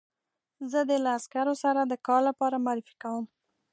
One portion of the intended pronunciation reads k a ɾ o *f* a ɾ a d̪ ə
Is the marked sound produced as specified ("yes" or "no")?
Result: no